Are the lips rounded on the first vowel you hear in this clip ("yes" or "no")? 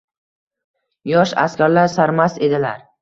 yes